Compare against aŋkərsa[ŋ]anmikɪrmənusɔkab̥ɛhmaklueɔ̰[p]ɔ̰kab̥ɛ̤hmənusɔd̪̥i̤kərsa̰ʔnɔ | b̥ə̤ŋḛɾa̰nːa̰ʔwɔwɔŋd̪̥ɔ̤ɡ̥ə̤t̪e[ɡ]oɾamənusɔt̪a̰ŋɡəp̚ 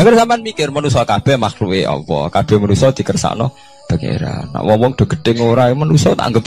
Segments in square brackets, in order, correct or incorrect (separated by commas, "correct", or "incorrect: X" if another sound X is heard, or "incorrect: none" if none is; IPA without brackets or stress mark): incorrect: m, correct, incorrect: ŋ